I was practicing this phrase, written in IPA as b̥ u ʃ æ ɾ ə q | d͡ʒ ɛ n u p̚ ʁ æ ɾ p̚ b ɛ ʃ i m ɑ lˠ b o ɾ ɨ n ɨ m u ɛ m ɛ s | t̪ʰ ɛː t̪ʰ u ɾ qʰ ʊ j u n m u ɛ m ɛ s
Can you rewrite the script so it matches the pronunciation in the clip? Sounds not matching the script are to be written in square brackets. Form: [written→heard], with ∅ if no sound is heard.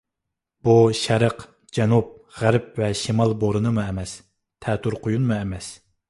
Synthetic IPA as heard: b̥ u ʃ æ ɾ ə q | d͡ʒ ɛ n u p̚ ʁ æ ɾ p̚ [b→v] ɛ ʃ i m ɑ lˠ b o ɾ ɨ n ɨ m u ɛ m ɛ s | t̪ʰ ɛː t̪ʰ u ɾ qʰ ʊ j u n m u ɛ m ɛ s

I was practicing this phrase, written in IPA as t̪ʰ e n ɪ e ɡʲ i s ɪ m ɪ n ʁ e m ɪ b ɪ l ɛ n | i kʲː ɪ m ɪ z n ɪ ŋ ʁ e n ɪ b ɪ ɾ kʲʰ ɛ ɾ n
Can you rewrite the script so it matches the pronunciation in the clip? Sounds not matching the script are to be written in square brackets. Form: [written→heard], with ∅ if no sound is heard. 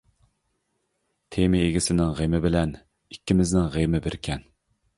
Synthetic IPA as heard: t̪ʰ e [n→m] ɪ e ɡʲ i s ɪ [m→n] ɪ [n→ŋ] ʁ e m ɪ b ɪ l ɛ n | i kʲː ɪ m ɪ z n ɪ ŋ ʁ e [n→m] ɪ b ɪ ɾ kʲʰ ɛ [ɾ→∅] n

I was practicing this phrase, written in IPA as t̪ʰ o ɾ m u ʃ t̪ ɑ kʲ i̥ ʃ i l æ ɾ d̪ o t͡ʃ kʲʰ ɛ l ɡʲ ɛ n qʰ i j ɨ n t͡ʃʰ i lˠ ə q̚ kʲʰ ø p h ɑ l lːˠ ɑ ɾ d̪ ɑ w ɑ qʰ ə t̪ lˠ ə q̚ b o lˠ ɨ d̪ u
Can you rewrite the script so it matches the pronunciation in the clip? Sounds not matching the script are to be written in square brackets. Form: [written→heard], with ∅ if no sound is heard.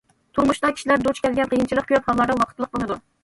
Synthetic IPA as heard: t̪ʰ [o→u] ɾ m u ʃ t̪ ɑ kʲ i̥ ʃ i l æ ɾ d̪ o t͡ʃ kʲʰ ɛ l ɡʲ ɛ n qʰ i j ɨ n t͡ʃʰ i lˠ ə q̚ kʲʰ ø p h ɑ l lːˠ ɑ ɾ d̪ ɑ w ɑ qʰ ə t̪ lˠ ə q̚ b o lˠ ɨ d̪ u

